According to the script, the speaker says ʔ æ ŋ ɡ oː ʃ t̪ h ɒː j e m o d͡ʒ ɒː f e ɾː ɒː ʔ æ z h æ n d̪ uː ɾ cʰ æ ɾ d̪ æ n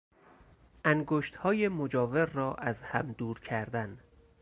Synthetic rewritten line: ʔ æ ŋ ɡ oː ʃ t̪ h ɒː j e m o d͡ʒ ɒː v e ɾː ɒː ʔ æ z h æ m d̪ uː ɾ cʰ æ ɾ d̪ æ n